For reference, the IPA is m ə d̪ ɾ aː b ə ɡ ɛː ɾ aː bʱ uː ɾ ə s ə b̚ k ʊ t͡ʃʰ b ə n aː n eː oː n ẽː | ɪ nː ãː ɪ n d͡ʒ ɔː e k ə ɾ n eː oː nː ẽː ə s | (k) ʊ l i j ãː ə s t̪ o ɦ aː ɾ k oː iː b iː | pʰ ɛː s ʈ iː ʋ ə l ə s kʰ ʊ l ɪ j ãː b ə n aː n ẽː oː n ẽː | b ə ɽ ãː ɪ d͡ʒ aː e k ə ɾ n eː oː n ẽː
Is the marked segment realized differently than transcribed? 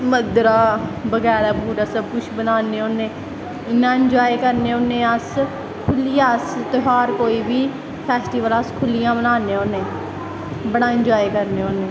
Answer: yes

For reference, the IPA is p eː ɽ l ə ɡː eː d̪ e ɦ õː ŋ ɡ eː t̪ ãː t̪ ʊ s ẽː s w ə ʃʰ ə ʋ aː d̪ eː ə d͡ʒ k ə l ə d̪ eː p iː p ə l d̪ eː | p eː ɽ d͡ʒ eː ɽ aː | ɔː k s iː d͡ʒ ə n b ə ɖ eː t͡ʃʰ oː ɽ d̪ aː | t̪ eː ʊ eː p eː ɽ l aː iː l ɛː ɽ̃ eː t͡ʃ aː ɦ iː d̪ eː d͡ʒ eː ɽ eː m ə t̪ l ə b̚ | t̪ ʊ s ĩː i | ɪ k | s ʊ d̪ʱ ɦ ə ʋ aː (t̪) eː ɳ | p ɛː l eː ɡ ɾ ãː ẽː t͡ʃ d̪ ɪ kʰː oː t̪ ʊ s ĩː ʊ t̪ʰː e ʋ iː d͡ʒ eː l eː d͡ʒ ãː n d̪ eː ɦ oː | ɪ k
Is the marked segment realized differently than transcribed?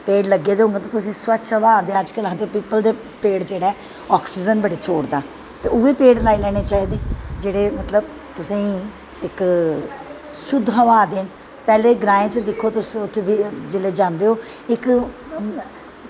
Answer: yes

